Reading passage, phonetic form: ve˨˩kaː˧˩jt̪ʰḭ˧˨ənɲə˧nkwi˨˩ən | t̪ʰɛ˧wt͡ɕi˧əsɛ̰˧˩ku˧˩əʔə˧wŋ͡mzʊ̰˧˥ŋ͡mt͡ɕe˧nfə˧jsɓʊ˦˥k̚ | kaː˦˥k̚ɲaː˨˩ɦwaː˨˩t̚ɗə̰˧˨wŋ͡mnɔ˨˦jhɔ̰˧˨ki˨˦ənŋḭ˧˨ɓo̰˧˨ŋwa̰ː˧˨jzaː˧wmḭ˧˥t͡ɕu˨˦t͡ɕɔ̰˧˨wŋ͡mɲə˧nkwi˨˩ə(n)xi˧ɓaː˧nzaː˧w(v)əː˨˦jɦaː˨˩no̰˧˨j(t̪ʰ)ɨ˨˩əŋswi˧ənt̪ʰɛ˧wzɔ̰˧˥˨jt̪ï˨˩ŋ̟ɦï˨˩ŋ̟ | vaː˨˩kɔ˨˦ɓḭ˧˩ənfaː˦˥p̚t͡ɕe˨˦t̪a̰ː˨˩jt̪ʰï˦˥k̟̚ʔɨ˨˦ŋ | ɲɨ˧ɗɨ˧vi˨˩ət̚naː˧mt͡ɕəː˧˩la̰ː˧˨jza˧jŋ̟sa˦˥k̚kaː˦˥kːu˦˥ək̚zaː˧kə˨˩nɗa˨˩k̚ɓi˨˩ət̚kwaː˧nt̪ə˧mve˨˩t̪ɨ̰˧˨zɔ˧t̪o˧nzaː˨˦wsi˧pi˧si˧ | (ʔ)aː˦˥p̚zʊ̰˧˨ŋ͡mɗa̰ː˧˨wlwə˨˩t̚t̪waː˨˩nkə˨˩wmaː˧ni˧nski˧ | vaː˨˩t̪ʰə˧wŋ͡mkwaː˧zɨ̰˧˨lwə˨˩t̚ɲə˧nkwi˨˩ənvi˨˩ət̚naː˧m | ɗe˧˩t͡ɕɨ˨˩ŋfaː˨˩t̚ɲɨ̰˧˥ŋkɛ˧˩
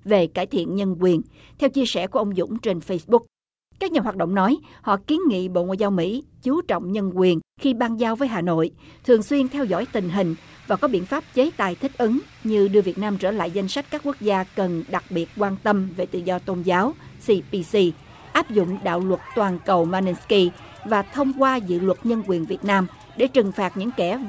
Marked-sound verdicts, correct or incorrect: correct, correct, correct, correct

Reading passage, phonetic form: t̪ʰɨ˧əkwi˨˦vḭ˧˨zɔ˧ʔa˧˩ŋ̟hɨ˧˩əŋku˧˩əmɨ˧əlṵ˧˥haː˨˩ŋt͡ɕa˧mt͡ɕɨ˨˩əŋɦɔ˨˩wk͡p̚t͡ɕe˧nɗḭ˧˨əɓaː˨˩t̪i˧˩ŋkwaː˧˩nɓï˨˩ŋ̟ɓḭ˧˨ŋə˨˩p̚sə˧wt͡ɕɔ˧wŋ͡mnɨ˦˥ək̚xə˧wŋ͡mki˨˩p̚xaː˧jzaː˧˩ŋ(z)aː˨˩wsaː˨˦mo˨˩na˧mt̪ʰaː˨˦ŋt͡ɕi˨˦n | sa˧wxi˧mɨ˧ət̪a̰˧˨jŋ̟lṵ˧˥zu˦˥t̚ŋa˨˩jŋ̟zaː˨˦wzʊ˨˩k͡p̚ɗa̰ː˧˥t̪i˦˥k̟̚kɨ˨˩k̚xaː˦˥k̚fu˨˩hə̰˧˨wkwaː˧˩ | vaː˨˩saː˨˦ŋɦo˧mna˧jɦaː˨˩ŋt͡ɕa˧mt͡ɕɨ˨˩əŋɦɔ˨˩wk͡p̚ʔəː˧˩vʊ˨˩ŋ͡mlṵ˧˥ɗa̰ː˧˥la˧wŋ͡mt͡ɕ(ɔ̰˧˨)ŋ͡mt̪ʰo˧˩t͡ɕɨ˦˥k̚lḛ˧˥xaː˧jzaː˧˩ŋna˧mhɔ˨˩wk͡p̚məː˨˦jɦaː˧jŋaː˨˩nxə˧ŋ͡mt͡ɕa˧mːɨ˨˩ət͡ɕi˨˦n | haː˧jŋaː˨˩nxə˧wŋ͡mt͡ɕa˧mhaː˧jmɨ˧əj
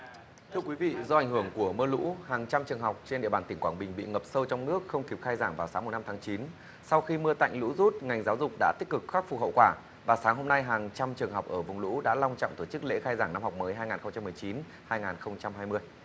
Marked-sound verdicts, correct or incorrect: incorrect: v, correct

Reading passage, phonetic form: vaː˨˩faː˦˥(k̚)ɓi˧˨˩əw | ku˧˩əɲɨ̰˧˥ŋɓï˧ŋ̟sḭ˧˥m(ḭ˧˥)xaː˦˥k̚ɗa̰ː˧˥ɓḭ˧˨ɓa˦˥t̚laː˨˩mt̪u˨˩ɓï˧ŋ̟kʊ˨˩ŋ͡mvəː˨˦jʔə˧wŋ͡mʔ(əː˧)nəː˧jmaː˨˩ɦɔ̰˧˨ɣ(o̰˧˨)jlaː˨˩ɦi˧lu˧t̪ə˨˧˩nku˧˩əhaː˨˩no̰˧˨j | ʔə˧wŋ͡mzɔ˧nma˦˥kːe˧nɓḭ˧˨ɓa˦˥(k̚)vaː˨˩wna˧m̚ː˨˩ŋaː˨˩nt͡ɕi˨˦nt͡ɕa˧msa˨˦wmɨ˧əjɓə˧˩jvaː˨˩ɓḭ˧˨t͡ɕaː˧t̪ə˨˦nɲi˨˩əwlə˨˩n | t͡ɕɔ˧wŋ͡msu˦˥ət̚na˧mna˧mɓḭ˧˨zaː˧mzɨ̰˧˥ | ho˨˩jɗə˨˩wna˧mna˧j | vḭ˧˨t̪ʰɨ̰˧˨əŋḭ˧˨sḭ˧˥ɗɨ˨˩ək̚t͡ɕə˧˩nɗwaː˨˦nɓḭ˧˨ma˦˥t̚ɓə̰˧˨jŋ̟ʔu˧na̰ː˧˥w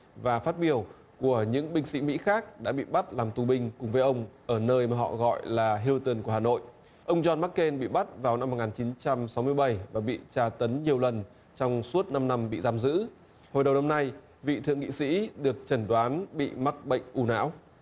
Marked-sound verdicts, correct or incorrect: incorrect: t̚, correct, incorrect: əː˧˩, incorrect: ɔ̰˧˨, incorrect: t̚

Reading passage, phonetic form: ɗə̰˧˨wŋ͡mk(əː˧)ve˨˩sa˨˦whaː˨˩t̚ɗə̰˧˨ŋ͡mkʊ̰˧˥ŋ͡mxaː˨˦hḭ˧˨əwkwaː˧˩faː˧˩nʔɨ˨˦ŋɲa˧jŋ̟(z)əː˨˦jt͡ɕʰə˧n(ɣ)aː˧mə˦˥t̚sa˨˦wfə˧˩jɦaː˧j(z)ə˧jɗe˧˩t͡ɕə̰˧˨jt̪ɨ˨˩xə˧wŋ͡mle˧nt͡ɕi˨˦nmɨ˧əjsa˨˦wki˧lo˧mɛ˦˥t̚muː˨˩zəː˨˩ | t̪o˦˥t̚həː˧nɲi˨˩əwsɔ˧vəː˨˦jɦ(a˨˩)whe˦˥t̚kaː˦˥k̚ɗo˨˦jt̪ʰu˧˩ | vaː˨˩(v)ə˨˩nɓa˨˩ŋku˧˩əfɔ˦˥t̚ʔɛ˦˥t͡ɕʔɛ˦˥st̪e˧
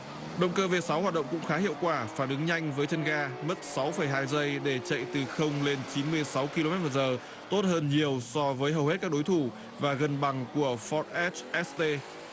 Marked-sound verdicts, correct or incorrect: correct, incorrect: v, correct, correct, incorrect: ə˨˩, incorrect: ɣ

